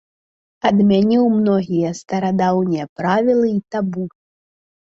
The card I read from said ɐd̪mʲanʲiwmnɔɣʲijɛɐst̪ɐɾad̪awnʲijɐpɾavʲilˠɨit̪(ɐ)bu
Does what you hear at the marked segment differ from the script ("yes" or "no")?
yes